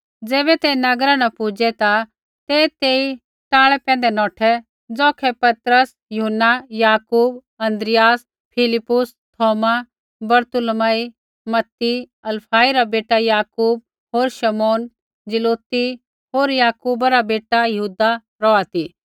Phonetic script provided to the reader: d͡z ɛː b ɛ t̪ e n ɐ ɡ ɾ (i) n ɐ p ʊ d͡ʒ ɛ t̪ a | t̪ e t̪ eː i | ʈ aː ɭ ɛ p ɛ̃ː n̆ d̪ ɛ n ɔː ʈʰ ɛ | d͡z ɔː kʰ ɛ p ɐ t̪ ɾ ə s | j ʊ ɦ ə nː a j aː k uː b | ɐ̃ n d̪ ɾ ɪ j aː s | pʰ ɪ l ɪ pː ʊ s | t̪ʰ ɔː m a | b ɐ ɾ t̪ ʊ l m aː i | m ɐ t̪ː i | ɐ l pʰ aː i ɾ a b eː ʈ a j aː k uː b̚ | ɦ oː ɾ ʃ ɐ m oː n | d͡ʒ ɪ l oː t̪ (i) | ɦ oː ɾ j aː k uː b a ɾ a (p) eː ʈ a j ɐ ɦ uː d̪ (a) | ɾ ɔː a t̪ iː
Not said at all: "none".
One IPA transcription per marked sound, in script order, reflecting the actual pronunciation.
a, i, b, a

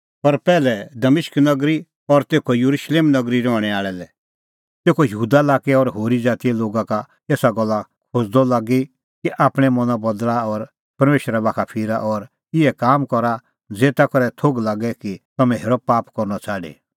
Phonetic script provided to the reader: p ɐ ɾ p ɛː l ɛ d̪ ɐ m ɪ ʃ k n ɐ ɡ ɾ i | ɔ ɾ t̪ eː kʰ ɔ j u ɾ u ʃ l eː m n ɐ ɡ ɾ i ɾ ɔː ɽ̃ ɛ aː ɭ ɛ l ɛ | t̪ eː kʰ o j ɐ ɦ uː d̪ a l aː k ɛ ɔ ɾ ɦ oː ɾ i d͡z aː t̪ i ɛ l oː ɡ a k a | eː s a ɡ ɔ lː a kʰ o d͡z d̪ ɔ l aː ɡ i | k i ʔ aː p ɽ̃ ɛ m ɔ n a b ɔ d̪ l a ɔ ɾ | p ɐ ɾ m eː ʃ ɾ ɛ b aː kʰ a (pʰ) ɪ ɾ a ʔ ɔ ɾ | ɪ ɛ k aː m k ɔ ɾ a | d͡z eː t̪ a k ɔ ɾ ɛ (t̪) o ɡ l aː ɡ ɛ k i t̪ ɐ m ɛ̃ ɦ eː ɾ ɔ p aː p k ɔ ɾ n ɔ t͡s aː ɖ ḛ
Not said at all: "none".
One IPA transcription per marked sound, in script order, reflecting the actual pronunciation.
pʰ, t̪ʰ

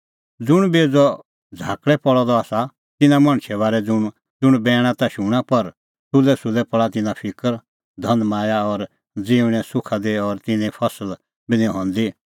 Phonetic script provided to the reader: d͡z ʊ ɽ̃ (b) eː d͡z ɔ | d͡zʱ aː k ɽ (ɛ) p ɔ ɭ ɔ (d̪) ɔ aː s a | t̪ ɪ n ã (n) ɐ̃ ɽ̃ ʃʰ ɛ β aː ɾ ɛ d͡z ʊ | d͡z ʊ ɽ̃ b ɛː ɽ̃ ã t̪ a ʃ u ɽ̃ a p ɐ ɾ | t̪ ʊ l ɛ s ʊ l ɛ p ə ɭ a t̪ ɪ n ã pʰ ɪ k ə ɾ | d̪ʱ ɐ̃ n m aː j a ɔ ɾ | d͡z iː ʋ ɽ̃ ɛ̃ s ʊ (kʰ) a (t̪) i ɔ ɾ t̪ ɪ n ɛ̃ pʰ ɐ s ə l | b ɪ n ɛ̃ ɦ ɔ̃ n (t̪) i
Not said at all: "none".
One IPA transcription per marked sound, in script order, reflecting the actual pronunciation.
b, ɛ, d̪, m, kʰ, d̪, d̪

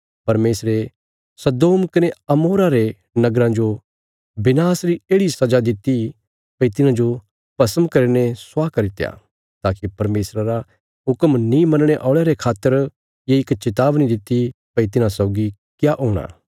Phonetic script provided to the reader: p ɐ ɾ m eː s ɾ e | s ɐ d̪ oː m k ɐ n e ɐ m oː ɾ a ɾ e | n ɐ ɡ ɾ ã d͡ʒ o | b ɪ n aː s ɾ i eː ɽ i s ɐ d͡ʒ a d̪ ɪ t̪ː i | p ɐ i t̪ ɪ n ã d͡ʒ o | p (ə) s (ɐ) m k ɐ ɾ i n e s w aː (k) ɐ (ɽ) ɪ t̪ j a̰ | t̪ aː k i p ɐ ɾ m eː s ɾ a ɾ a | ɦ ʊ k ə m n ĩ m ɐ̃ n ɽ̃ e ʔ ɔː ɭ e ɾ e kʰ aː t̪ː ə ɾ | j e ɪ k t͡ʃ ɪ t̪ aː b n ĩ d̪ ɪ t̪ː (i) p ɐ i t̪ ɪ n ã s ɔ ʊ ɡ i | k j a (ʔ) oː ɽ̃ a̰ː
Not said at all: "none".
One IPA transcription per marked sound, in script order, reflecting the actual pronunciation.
ɐ, ə, k, ɾ, i, ʔ

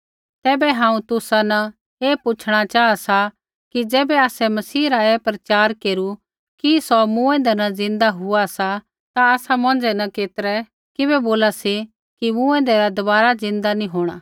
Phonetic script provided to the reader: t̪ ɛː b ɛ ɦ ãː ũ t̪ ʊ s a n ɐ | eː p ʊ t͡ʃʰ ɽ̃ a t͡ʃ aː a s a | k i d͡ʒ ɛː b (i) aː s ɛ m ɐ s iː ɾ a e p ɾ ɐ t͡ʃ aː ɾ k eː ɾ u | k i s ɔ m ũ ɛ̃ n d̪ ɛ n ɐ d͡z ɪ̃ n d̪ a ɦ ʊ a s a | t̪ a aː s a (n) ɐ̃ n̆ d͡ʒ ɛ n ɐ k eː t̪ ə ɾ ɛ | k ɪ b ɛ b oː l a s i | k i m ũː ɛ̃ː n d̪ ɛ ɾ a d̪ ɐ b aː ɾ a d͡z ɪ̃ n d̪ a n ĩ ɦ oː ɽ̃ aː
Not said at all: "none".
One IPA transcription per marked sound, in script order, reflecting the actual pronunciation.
ɛ, m

